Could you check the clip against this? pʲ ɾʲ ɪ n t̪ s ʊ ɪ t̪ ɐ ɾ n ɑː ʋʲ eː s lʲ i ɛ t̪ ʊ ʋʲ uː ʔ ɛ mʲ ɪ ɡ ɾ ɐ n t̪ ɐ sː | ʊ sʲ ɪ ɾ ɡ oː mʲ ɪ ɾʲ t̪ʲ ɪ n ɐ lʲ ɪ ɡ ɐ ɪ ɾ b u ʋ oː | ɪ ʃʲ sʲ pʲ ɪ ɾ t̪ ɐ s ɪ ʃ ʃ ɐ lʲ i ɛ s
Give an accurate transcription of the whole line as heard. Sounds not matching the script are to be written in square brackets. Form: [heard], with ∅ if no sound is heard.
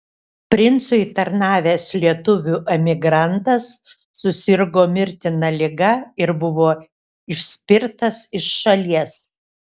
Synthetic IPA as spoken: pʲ ɾʲ ɪ n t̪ s ʊ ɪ t̪ ɐ ɾ n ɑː ʋʲ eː s lʲ i ɛ t̪ ʊ ʋʲ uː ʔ ɛ mʲ ɪ ɡ ɾ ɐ n t̪ ɐ sː | ʊ sʲ ɪ ɾ ɡ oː mʲ ɪ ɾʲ t̪ʲ ɪ n ɐ lʲ ɪ ɡ ɐ ɪ ɾ b [ʊ] ʋ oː | ɪ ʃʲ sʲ pʲ ɪ ɾ t̪ ɐ s ɪ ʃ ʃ ɐ lʲ i ɛ s